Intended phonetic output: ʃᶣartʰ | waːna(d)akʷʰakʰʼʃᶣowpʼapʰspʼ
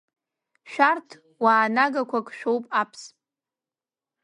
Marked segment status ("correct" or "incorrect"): incorrect